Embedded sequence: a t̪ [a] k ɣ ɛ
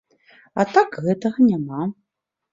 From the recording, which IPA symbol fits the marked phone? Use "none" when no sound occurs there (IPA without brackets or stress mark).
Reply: a